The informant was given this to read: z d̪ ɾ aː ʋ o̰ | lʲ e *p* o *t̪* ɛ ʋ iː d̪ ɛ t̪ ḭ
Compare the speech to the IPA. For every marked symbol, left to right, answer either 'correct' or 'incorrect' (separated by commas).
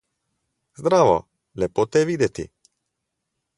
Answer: correct, correct